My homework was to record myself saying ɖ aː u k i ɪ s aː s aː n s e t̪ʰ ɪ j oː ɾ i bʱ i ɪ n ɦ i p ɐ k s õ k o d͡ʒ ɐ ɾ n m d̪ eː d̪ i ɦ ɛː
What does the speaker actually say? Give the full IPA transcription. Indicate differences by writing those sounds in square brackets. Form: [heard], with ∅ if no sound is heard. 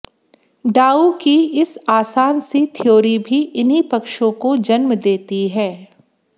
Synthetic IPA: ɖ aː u k i ɪ s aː s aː n s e t̪ʰ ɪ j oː ɾ i bʱ i ɪ n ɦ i p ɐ k [ʃ] õ k o d͡ʒ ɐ [∅] n m d̪ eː [t̪] i ɦ ɛː